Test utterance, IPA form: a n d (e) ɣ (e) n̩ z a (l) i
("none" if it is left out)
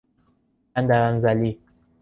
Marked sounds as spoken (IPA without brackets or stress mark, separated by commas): a, a, l